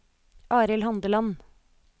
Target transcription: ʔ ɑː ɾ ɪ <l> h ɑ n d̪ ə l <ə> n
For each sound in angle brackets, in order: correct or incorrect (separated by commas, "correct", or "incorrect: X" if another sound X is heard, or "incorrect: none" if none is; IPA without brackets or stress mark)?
correct, incorrect: ɑ